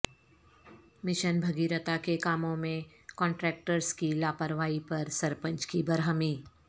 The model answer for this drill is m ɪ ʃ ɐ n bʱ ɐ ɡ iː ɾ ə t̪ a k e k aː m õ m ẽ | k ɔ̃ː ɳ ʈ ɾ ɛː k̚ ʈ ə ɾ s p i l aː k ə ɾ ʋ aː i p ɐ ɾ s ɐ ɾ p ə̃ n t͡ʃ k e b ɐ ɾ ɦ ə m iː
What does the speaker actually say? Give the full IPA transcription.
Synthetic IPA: m ɪ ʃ ə n bʱ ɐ ɡ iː ɾ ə t̪ a k e k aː m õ m ẽ | k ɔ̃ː ɳ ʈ ɾ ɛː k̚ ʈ ə ɾ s k i l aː p ə ɾ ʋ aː i p ɐ ɾ s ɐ ɾ p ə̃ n t͡ʃ k i b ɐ ɾ ɦ ə m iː